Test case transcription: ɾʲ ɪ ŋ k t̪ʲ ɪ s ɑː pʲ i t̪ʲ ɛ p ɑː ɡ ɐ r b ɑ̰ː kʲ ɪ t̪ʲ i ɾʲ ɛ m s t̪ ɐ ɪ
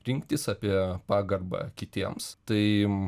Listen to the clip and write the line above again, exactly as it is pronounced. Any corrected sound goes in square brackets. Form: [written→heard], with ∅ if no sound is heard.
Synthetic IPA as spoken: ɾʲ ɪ ŋ k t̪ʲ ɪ s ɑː pʲ i [t̪ʲ→∅] ɛ p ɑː ɡ ɐ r b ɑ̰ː kʲ ɪ t̪ʲ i [ɾʲ→∅] ɛ m s t̪ ɐ ɪ